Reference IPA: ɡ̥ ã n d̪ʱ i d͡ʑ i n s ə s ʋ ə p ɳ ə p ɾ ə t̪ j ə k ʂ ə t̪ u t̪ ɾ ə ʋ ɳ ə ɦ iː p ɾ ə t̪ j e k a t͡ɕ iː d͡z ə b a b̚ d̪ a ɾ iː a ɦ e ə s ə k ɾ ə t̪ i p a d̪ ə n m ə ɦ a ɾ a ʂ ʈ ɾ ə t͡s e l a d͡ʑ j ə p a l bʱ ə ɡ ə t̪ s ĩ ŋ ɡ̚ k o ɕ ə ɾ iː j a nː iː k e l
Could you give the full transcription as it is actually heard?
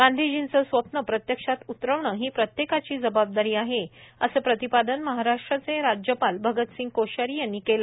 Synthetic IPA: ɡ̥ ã n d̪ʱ i d͡ʑ i n t͡s ə s ʋ ə p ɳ ə p ɾ ə t̪ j ə k ʂ a t̪ u t̪ ɾ ə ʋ ɳ ə ɦ iː p ɾ ə t̪ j e k a t͡ɕ iː d͡z ə b a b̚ d̪ a ɾ iː a ɦ e ə s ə p ɾ ə t̪ i p a d̪ ə n m ə ɦ a ɾ a ʂ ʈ ɾ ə t͡s e ɾ a d͡ʑ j ə p a l bʱ ə ɡ ə t̪ s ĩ ŋ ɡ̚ k o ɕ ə ɾ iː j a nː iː k e l

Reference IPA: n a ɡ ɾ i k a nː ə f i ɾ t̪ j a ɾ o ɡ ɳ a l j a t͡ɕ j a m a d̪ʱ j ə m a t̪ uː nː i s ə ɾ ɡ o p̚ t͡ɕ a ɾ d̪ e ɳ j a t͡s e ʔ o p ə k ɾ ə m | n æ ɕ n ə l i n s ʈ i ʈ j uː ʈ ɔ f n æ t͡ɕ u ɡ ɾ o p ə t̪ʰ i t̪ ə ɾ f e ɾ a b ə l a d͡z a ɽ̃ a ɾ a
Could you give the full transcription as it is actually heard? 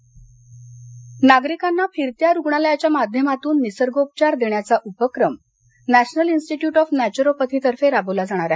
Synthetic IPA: n a ɡ ɾ i k a nː a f i ɾ t̪ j a ɾ u ɡ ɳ a l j a t͡ɕ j a m a d̪ʱ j ə m a t̪ uː nː i s ə ɾ ɡ o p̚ t͡ɕ a ɾ d̪ e ɳ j a t͡s a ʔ u p ə k ɾ ə m | n æ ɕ n ə l i n s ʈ i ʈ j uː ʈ ɔ f n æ t͡ɕ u ɾ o p ə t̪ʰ i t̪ ə ɾ f e ɾ a b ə l a d͡z a ɽ̃ a ɾ a

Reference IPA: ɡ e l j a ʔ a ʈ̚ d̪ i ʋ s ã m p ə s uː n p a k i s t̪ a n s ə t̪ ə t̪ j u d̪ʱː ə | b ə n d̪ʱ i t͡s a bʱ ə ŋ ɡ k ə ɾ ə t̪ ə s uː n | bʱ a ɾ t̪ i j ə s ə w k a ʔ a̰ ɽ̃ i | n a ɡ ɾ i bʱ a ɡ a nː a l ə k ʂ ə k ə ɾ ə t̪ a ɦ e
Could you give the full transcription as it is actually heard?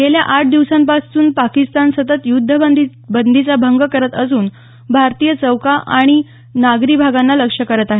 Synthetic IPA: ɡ e l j a ʔ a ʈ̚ d̪ i ʋ s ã m p a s uː n p a k i s t̪ a n s ə t̪ ə t̪ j u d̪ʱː ə | b ə n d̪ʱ i t͡s a bʱ ə ŋ ɡ k ə ɾ ə t̪ ə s uː n | bʱ a ɾ t̪ i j ə t͡s ə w k a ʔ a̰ ɽ̃ i | n a ɡ ɾ i bʱ a ɡ a nː a l ə k ʂ ə k ə ɾ ə t̪ a ɦ e

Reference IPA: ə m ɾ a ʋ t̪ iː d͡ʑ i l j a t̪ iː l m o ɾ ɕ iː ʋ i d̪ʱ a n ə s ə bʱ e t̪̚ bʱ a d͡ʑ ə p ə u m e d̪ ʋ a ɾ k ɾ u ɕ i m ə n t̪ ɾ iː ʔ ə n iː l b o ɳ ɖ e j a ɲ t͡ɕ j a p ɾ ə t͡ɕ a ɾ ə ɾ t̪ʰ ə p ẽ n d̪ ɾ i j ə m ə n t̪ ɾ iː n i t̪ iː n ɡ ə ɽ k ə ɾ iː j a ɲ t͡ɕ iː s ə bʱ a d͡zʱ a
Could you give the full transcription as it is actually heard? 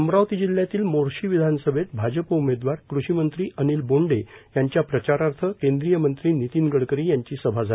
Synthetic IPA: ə m ɾ a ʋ t̪ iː d͡ʑ i l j a t̪ iː l m o ɾ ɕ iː ʋ i d̪ʱ a n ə s ə bʱ e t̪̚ bʱ a d͡ʑ ə p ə u m e d̪ ʋ a ɾ k ɾ u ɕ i m ə n t̪ ɾ iː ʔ ə n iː l b o ɳ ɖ e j a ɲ t͡ɕ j a p ɾ ə t͡ɕ a ɾ a ɾ t̪ʰ ə k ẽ n d̪ ɾ i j ə m ə n t̪ ɾ iː n i t̪ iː n ɡ ə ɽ k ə ɾ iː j a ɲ t͡ɕ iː s ə bʱ a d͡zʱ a

